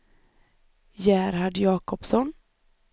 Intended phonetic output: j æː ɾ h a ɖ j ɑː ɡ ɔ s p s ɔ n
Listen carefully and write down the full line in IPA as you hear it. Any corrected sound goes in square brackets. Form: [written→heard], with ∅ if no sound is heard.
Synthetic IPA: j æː ɾ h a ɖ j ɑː [ɡ→k] ɔ [s→∅] p s ɔ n